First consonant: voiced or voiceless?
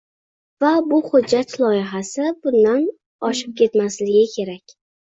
voiced